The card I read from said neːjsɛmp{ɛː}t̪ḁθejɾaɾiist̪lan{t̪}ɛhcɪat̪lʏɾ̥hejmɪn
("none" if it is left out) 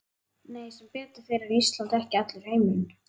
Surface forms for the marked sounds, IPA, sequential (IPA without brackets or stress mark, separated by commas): ɛː, t̪